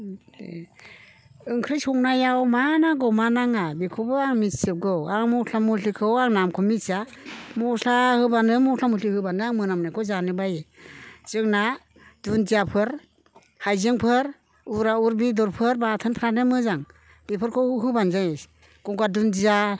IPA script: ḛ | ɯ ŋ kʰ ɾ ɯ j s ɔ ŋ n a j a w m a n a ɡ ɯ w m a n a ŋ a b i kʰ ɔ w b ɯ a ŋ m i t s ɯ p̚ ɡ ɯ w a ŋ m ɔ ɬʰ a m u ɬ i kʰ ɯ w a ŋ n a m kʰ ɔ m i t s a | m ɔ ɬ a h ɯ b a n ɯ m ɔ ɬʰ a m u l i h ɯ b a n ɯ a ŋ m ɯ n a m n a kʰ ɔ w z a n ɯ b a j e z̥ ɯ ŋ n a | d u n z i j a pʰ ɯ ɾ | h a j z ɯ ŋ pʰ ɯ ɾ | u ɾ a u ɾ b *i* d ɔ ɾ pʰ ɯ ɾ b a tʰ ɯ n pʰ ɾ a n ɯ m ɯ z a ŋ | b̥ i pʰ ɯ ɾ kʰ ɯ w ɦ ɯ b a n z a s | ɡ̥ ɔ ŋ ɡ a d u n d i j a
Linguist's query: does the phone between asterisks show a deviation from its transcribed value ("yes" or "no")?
no